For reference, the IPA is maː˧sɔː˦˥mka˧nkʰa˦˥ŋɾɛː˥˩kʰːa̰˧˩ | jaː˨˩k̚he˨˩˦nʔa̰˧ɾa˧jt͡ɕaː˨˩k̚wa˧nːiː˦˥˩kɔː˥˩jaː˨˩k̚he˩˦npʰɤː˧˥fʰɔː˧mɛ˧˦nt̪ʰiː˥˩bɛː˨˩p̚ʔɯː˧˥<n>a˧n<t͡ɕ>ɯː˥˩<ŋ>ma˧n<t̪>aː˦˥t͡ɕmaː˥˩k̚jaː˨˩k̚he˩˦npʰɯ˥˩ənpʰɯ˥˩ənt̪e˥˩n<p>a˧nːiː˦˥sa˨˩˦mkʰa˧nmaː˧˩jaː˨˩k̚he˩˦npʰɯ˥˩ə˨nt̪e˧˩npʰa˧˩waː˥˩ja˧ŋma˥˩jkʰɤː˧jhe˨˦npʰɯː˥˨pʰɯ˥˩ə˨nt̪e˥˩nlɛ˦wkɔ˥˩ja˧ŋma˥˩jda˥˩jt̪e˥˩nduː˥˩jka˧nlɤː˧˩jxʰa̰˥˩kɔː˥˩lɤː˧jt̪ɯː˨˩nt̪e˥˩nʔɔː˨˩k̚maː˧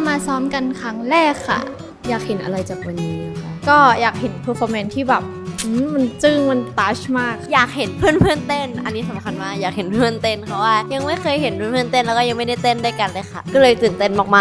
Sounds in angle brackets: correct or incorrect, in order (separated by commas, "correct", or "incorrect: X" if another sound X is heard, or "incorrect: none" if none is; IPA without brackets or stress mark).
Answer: incorrect: m, correct, correct, correct, incorrect: ʔ